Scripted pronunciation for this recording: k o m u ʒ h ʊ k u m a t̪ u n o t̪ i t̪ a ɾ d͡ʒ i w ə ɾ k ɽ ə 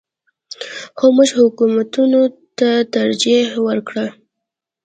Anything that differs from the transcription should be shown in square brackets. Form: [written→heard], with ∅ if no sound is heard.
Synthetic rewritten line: [k→x] o m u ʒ h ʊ k u m a t̪ u n o t̪ [i→a] t̪ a ɾ d͡ʒ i w ə ɾ k ɽ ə